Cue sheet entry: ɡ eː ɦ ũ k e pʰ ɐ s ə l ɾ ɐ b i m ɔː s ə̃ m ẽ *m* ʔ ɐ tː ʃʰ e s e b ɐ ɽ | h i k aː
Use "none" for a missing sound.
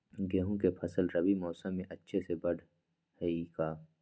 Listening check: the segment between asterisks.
none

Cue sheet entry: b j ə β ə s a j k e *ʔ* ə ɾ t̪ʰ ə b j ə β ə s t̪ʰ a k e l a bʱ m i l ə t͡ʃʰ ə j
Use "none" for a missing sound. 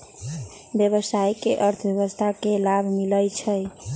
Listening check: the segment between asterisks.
ʔ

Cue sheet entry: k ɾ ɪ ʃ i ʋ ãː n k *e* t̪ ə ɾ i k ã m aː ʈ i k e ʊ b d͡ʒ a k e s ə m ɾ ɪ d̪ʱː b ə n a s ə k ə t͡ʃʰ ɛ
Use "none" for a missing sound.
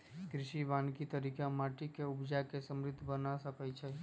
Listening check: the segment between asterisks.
i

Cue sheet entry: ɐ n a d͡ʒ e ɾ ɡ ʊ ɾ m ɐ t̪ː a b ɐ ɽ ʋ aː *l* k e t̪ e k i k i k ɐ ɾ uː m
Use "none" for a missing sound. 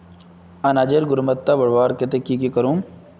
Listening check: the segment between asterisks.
ɾ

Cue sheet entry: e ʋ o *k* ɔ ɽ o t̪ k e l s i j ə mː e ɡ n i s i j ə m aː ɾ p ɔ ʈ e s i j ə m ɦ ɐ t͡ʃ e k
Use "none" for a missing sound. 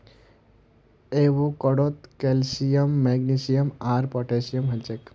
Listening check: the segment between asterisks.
k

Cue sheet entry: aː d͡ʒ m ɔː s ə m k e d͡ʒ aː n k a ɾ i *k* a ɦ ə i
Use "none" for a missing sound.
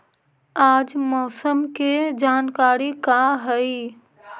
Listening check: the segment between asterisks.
k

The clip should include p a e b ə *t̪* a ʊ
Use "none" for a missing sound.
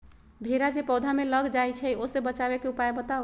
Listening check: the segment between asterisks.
t̪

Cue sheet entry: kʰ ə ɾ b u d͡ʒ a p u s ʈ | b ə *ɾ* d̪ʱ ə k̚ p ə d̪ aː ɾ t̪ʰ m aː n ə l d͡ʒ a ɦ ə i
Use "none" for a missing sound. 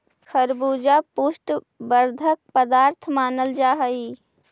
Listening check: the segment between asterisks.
ɾ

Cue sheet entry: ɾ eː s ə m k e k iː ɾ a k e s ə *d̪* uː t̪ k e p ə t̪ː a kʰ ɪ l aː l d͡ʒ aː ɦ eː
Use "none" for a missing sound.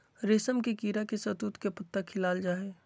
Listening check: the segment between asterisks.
t̪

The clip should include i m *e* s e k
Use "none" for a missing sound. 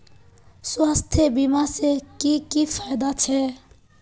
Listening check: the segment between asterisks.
a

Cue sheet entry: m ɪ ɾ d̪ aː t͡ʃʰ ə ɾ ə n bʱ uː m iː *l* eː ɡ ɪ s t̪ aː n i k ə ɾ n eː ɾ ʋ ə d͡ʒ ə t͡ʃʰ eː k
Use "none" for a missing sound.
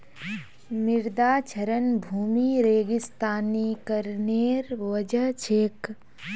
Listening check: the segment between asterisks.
ɾ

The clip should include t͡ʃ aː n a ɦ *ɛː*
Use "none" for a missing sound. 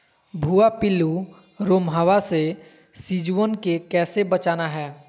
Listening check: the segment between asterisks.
ɛː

